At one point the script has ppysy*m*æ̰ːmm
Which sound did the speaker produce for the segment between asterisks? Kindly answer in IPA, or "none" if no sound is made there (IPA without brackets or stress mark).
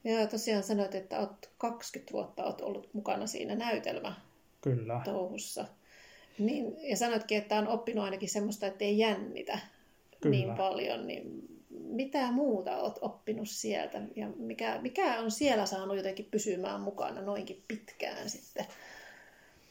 m